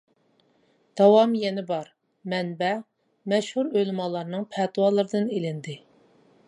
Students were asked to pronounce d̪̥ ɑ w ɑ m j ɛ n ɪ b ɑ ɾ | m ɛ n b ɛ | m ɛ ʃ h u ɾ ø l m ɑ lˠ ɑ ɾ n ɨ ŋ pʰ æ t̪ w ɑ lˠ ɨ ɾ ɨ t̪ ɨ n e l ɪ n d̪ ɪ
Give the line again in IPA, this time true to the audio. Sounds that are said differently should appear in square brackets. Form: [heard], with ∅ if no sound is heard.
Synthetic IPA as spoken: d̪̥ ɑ w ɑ m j ɛ n ɪ b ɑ ɾ | m ɛ n b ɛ | m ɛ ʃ h u ɾ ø l m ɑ lˠ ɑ ɾ n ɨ ŋ pʰ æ t̪ w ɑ lˠ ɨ ɾ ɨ [d̪] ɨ n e l ɪ n d̪ ɪ